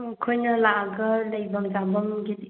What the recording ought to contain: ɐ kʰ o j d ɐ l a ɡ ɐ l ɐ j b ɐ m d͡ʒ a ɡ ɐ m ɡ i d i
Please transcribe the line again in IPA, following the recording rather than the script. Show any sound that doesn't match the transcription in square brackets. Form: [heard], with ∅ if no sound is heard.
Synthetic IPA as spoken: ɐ kʰ o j [n] ɐ l a ɡ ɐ l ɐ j b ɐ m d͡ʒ a [b] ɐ m ɡ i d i